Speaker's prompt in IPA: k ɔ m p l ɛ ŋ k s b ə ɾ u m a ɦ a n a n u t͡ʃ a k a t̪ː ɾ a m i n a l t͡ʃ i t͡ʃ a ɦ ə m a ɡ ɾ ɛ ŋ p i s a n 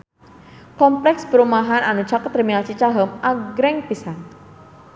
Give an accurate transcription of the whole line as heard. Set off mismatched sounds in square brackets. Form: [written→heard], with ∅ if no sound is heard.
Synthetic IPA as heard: k ɔ m p l ɛ [ŋ→∅] k s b ə ɾ u m a ɦ a n a n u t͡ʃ a k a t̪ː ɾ [a→i] m i n a l t͡ʃ i t͡ʃ a ɦ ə m a ɡ ɾ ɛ ŋ p i s a n